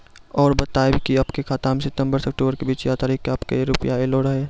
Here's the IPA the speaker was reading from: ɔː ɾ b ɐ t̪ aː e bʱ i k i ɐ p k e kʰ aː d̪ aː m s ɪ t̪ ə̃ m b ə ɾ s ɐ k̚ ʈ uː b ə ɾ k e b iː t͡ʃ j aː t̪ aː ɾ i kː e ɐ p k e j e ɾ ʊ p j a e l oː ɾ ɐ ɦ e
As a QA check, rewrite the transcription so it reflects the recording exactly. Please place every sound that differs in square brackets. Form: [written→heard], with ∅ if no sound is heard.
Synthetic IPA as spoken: ɔː ɾ b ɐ t̪ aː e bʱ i k i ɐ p k e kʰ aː [d̪→t̪] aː m s ɪ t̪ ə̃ m b ə ɾ s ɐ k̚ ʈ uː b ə ɾ k e b iː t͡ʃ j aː t̪ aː ɾ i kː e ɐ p k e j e ɾ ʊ p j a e l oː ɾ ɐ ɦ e